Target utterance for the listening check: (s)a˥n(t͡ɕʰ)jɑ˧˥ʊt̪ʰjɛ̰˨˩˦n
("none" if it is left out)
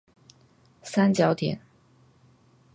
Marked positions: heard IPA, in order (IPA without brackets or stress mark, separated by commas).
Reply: s, t͡ɕ